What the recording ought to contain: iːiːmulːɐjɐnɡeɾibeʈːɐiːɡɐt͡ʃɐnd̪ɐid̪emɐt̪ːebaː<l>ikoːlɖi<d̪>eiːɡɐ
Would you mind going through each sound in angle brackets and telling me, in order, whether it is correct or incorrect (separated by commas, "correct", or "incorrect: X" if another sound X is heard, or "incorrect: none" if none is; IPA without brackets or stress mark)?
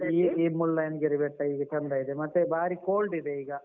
incorrect: ɾ, correct